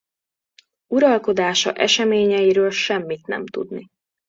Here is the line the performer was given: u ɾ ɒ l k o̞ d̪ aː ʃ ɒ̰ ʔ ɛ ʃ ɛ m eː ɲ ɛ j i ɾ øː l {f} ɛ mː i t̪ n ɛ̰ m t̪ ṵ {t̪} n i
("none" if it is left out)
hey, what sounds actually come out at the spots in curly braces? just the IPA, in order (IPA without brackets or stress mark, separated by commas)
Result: ʃ, d̪